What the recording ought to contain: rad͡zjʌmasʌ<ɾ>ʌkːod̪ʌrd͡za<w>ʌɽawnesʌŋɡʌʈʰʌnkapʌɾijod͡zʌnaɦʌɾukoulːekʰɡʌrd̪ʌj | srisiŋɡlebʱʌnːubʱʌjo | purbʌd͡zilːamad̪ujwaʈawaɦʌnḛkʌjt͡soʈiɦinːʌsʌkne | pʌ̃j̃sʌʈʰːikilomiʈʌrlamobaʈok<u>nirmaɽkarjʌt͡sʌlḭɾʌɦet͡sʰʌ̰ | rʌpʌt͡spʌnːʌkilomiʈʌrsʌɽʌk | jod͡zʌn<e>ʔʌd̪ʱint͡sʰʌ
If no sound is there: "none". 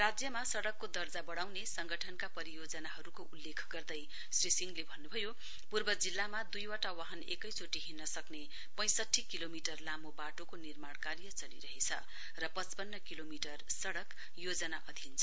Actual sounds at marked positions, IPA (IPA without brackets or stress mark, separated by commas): ɽ, b, o, a